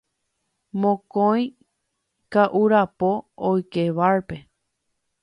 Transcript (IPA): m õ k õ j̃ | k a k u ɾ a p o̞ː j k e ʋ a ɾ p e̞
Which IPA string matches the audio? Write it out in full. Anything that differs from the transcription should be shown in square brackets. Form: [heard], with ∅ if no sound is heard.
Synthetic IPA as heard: m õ k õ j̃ | k a [ʔ] u ɾ a p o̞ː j k e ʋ a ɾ p e̞